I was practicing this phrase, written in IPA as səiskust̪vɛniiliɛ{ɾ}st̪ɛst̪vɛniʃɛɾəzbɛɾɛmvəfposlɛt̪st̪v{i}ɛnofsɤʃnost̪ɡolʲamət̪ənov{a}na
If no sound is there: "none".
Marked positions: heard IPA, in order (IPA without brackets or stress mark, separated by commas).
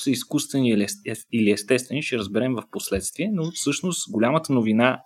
none, i, i